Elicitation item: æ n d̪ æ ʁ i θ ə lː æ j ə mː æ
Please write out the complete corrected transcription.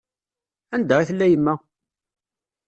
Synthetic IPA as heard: æ n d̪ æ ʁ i θ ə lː æ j ə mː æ